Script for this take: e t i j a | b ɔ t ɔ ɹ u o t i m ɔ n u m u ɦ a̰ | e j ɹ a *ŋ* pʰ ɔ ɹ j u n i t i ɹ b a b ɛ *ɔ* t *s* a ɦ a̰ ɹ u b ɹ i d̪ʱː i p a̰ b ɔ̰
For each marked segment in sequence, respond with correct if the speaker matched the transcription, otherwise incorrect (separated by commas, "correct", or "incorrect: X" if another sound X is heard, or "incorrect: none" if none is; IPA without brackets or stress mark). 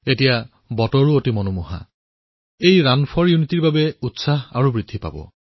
incorrect: n, incorrect: u, correct